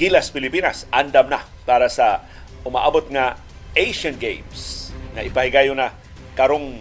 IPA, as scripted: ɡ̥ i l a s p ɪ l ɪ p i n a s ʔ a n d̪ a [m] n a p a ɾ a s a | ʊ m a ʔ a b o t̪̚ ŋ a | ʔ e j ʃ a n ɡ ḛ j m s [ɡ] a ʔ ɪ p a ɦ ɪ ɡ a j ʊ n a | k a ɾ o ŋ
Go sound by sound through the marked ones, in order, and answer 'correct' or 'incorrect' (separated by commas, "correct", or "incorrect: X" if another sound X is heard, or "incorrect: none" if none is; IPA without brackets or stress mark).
correct, incorrect: ŋ